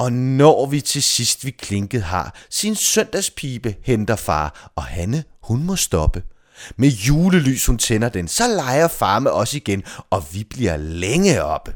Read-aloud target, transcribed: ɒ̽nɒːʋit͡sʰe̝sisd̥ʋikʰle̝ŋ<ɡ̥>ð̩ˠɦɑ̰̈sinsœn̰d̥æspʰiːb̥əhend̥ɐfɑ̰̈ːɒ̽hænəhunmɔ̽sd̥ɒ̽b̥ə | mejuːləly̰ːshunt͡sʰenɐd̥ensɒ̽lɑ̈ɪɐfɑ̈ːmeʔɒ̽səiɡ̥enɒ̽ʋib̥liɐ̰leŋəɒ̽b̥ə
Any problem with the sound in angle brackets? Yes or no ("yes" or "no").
no